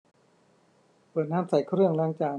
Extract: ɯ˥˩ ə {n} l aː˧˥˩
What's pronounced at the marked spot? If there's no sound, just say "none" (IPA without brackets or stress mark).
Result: ŋ